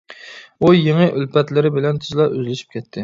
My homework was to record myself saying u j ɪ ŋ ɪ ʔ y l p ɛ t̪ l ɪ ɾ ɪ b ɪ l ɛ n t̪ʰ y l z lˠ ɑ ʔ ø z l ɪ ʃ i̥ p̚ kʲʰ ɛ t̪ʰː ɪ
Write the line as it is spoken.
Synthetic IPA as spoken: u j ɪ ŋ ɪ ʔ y l p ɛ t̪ l ɪ ɾ ɪ b ɪ l ɛ n t̪ʰ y z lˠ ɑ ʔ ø z l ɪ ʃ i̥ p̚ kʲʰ ɛ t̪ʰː ɪ